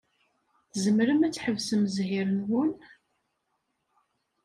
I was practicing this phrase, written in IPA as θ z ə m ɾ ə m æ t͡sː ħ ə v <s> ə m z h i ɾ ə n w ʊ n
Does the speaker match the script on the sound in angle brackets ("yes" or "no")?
yes